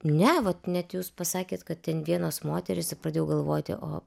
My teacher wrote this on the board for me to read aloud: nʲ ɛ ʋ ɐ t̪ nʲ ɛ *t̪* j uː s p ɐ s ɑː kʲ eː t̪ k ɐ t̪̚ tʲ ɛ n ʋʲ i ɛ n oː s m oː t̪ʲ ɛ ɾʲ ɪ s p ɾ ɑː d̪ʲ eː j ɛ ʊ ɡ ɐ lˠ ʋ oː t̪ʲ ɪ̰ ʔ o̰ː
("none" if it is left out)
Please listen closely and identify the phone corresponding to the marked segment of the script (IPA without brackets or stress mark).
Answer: t̪